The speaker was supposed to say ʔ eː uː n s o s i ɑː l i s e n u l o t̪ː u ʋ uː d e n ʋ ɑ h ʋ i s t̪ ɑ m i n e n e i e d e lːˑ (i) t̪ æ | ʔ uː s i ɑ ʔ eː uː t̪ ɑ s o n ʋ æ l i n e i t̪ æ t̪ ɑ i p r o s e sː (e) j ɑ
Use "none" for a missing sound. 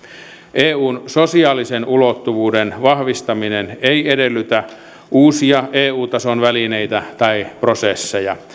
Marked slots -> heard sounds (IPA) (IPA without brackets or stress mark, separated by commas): y, e